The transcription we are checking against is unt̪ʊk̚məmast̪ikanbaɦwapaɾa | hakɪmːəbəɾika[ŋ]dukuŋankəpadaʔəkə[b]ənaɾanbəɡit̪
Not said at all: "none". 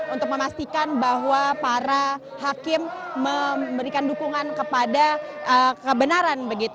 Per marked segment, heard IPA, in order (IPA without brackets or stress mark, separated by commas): n, b